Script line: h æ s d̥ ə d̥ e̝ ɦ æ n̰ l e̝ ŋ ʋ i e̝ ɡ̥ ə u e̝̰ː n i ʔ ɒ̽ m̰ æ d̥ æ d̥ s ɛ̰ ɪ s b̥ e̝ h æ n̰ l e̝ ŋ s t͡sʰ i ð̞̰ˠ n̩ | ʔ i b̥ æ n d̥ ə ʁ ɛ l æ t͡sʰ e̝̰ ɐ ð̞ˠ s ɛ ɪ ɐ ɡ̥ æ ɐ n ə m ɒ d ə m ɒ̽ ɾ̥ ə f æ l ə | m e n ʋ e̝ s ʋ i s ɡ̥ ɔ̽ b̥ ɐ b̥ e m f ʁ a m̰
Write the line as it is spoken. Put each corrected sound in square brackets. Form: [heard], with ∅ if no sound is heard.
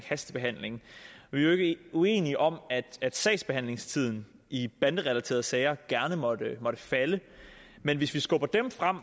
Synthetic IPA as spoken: h æ s d̥ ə [b̥] e̝ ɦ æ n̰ l e̝ ŋ ʋ i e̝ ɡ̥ ə u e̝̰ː n i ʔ ɒ̽ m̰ æ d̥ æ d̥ s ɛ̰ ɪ s b̥ e̝ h æ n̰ l e̝ ŋ s t͡sʰ i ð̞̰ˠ n̩ | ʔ i b̥ æ n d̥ ə ʁ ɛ l æ t͡sʰ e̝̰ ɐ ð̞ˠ s ɛ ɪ ɐ ɡ̥ æ ɐ n ə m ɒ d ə m ɒ̽ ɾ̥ ə f æ l ə | m e n ʋ e̝ s ʋ i s ɡ̥ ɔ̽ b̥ ɐ [d̥] e m f ʁ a m̰